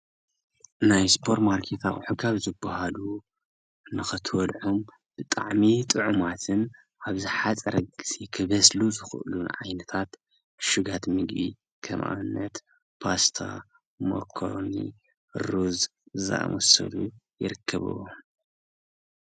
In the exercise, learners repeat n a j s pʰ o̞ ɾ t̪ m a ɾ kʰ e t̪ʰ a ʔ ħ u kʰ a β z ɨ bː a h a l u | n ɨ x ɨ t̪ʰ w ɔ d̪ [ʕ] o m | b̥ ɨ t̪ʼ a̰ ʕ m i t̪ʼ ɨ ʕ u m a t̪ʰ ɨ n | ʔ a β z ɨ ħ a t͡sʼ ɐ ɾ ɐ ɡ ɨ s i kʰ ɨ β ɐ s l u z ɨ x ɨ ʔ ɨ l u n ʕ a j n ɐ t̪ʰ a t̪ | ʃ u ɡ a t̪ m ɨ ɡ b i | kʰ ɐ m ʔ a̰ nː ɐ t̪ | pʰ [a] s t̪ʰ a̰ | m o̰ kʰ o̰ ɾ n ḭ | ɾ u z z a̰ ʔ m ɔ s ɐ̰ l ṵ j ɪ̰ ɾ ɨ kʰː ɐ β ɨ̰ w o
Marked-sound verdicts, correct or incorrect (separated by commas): correct, correct